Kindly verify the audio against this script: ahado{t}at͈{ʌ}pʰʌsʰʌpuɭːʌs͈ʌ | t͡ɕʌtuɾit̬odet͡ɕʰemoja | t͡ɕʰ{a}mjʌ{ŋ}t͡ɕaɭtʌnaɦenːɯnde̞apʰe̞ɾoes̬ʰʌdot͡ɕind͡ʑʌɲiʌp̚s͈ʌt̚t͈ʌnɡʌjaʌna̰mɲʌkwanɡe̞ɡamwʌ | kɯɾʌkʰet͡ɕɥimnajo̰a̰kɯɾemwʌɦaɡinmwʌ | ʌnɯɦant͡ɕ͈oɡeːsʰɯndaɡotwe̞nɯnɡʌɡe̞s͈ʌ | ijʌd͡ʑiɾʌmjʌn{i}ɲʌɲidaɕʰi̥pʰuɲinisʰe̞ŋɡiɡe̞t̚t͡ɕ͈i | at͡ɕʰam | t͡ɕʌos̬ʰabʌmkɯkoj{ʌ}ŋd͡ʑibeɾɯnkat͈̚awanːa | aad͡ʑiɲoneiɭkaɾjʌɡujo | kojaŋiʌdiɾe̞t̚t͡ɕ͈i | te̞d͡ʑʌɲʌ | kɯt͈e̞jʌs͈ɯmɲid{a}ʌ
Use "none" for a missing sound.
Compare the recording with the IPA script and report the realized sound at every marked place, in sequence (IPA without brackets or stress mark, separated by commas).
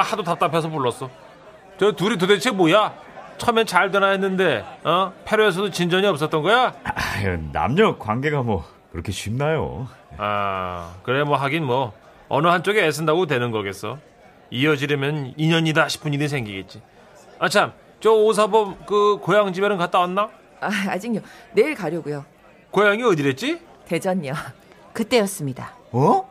t, a, ʌ, n, i, a, a